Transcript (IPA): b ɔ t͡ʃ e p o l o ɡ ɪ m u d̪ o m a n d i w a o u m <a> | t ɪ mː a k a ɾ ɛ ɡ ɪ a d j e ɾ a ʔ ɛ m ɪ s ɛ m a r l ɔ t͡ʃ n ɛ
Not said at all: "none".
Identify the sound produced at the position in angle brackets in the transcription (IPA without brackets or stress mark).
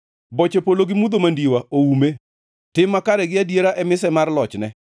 e